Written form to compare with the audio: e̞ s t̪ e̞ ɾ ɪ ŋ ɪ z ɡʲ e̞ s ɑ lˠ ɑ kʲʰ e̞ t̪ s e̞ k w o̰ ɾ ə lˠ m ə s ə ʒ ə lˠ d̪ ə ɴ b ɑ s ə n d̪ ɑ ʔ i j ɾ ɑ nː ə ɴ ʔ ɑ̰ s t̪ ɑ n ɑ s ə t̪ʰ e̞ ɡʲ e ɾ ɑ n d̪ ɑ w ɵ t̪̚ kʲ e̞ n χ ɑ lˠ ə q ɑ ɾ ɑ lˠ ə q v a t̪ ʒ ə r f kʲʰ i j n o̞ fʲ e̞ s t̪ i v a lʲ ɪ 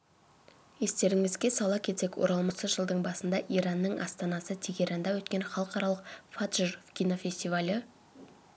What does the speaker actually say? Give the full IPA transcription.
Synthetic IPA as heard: e̞ s t̪ e̞ ɾ ɪ ŋ ɪ z ɡʲ e̞ s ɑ lˠ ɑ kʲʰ e̞ t̪ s e̞ k w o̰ ɾ ɑ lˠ m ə s ə ʒ ə lˠ d̪ ə ɴ b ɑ s ə n d̪ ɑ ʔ i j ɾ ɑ nː ə ɴ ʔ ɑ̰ s t̪ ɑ n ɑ s ə t̪ʰ e̞ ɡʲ e ɾ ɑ n d̪ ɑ w ɵ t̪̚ kʲ e̞ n χ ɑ lˠ ə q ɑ ɾ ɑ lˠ ə q f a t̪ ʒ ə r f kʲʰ i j n o̞ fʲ e̞ s t̪ i v a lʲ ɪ